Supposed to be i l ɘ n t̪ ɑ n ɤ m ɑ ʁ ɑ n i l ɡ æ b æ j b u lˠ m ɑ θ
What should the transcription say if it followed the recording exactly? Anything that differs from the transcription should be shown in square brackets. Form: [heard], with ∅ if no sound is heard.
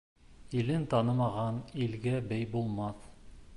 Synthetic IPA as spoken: i l ɘ n t̪ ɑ n ɤ m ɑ ʁ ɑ n i l ɡ æ b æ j b u lˠ m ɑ θ